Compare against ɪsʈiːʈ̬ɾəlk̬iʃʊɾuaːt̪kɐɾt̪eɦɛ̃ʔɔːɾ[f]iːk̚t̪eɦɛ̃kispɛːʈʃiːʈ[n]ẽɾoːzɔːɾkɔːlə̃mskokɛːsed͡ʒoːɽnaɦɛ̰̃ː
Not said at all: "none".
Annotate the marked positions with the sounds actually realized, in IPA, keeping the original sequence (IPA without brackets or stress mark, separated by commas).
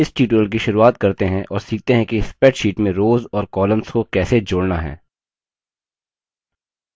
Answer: s, m